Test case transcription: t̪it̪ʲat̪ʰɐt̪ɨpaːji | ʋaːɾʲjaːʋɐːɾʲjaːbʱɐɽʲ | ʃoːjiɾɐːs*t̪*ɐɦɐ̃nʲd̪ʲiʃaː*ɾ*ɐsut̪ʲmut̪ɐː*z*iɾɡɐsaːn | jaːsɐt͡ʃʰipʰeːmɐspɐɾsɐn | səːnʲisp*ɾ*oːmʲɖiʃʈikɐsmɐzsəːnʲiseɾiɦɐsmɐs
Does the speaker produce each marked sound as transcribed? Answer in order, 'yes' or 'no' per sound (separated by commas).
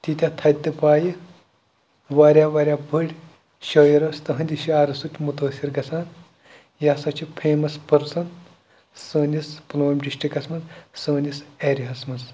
yes, yes, no, no